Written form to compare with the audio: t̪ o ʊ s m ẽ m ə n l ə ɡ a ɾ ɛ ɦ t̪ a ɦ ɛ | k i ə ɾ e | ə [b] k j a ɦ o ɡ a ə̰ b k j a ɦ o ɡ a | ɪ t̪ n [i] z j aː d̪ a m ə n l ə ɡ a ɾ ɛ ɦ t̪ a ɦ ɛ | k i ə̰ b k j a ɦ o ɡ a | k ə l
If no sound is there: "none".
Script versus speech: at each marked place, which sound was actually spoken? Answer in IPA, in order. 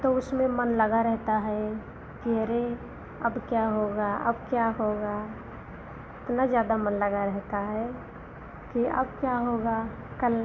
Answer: b, a

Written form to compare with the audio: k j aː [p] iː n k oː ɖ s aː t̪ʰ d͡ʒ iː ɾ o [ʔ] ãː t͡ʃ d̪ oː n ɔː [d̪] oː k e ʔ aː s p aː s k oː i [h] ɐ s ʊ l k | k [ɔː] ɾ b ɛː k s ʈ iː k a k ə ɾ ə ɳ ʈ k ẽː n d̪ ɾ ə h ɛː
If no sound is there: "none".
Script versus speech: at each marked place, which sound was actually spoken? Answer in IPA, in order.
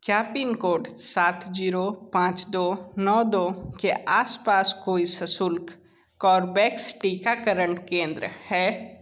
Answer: p, p, d̪, s, ɔː

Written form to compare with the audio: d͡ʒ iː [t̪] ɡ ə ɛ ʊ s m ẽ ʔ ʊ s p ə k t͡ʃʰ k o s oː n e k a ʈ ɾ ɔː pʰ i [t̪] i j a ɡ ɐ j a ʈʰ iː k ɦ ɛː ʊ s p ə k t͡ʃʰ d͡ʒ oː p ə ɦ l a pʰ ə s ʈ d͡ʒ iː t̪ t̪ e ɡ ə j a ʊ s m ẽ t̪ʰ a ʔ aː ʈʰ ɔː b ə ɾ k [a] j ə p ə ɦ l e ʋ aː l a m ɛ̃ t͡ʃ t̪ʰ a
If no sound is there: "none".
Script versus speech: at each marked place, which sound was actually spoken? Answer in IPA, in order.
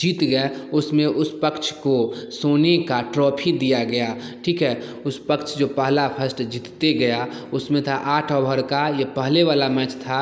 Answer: t̪, d̪, a

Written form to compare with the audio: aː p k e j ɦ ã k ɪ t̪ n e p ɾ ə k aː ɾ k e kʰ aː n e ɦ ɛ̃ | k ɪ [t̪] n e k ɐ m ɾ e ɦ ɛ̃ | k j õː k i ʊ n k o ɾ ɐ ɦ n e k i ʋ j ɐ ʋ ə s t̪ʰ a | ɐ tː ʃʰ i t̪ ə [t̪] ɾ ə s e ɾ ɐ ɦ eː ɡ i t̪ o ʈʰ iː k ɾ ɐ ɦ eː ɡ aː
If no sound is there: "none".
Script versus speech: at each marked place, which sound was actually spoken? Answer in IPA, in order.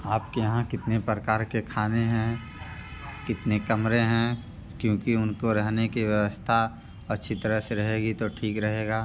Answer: t̪, none

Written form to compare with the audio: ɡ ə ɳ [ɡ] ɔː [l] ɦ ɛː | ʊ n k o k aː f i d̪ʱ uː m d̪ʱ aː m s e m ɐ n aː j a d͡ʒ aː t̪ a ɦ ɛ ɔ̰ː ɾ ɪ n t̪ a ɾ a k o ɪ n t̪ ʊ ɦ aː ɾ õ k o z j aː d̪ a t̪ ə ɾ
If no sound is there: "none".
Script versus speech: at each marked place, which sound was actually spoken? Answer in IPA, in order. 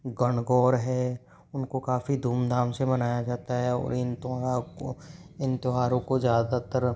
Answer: ɡ, ɾ

